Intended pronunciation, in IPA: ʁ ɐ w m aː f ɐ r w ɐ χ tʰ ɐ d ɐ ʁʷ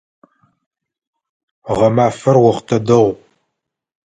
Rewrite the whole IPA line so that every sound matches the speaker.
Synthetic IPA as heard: ʁ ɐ m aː f ɐ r w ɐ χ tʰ ɐ d ɐ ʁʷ